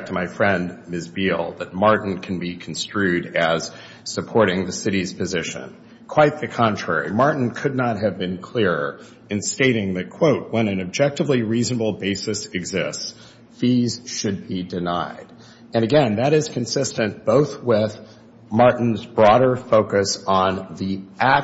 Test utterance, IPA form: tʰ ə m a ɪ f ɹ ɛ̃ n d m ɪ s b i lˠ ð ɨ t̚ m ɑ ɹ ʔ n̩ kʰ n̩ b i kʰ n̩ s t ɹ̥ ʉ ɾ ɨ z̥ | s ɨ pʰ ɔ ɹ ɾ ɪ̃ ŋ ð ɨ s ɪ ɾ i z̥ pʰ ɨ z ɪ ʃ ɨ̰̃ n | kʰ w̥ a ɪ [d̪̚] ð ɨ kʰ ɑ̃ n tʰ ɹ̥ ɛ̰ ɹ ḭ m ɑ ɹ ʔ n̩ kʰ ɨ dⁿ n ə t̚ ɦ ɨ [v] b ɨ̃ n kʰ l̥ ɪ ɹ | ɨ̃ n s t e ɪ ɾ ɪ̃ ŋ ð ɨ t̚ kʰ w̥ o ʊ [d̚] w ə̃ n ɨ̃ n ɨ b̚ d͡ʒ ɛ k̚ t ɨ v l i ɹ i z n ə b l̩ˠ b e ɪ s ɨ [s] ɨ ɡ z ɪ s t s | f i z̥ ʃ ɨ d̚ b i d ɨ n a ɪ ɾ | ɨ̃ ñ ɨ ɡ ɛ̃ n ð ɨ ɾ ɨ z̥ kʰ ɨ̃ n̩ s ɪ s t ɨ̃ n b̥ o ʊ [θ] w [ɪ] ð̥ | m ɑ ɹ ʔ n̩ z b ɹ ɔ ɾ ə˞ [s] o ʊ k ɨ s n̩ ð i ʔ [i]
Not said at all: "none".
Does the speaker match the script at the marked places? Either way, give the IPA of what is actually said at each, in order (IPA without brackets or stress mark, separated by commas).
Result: t̪̚, v, t̚, s, θ, ɪ, f, æ